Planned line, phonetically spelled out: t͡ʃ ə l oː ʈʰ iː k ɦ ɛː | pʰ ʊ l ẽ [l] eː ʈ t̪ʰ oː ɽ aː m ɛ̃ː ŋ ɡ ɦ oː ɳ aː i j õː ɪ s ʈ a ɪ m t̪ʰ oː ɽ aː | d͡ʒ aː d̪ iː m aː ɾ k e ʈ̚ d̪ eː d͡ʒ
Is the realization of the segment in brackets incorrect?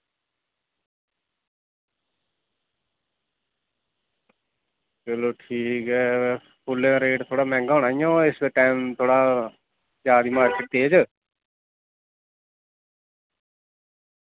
yes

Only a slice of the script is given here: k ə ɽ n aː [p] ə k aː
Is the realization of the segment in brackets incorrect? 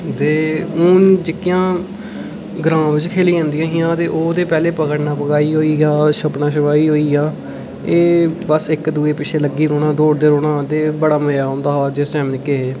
no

